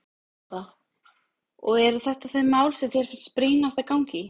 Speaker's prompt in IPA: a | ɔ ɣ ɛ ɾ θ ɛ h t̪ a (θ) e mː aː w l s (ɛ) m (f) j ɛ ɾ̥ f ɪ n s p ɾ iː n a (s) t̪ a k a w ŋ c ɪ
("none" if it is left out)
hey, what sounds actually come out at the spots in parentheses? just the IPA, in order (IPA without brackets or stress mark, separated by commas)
θ, ɛ, θ, s